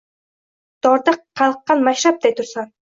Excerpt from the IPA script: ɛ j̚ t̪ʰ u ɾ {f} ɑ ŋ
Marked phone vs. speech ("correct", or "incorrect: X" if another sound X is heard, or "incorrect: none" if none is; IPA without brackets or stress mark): incorrect: s